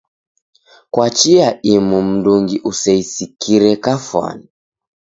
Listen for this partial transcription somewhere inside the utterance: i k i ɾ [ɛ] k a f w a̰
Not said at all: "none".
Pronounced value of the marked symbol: ɛ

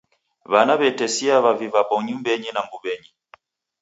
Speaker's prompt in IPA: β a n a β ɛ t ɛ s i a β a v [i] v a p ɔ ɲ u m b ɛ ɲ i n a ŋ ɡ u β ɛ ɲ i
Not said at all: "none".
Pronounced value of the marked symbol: i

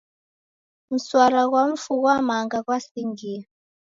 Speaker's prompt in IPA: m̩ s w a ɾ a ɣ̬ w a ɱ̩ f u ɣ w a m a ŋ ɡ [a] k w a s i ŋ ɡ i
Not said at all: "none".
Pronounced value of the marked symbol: a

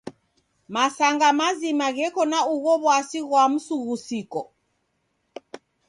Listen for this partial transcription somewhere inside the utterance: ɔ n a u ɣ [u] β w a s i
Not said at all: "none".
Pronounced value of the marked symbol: ɔ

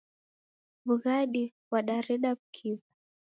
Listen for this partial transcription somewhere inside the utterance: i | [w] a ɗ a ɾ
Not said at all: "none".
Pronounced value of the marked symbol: w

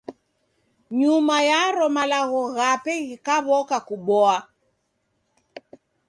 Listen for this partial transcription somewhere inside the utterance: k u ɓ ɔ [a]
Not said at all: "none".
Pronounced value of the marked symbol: a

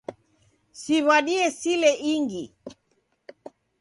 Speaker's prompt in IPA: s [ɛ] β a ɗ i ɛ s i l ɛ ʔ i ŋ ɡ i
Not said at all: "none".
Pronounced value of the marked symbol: i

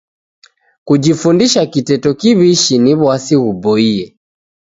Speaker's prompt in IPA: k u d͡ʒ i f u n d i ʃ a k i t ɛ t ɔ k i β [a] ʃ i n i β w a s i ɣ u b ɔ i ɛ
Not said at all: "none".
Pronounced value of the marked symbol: i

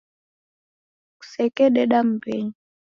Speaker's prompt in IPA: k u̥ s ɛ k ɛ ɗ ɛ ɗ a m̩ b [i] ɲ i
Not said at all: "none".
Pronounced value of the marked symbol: ɛ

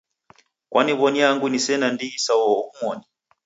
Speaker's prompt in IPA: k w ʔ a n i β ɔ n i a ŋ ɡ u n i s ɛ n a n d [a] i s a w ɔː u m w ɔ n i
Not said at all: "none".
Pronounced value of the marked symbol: i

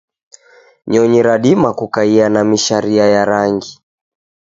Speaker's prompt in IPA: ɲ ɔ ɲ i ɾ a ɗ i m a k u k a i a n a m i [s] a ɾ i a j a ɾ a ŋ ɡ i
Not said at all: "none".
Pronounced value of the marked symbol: ʃ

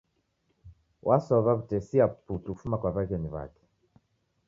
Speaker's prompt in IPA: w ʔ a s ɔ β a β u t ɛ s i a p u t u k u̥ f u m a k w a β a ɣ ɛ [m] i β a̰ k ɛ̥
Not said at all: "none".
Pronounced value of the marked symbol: n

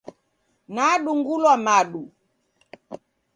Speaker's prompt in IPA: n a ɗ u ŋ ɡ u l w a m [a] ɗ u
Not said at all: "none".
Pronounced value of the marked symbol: a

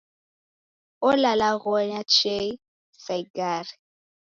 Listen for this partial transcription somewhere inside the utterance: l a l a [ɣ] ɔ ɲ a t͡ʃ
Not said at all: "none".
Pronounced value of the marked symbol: ɣ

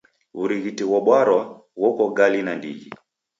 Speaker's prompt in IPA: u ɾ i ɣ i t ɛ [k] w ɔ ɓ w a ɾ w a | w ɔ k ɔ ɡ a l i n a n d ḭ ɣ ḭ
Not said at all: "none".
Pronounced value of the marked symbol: none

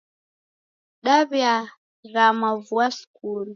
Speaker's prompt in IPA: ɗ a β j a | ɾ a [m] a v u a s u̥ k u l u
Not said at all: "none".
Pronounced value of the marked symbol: m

